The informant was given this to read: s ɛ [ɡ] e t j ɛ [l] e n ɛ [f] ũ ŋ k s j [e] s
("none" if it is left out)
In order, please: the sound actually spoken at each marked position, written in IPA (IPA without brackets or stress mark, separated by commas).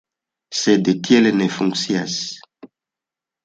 d, l, f, a